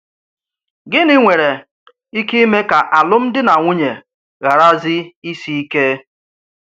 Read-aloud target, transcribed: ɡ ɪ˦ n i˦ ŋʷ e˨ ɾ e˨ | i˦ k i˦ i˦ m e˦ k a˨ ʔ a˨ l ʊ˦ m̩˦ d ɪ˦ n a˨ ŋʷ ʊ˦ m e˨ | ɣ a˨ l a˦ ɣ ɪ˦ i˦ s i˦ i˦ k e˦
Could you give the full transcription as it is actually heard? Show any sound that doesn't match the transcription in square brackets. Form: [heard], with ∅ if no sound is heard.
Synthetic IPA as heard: ɡ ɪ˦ n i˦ ŋʷ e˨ ɾ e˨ | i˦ k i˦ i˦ m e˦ k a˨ ʔ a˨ l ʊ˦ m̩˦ d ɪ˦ n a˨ ŋʷ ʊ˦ [ɲ] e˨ | ɣ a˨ [ɾ] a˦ [z] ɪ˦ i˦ s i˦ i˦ k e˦